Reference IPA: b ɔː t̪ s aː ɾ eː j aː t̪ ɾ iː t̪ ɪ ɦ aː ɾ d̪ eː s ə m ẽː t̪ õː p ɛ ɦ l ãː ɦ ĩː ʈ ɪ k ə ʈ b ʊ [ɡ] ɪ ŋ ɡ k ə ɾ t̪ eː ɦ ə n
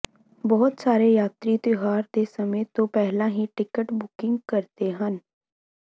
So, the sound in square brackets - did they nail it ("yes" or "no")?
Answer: no